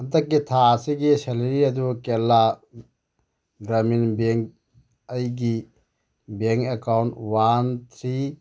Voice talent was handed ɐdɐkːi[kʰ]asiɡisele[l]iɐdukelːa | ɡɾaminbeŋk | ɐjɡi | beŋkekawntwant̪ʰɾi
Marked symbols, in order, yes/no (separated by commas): no, no